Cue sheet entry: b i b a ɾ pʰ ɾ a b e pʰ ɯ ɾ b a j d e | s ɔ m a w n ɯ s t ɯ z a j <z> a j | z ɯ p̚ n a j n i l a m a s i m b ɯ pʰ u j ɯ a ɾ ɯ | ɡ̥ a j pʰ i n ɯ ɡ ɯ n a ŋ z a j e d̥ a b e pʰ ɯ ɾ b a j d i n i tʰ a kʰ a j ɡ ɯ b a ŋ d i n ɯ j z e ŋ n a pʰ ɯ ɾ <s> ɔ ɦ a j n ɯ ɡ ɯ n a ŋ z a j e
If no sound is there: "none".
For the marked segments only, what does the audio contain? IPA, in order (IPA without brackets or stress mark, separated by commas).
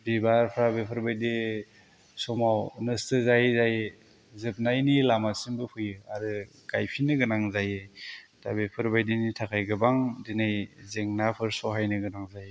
z, s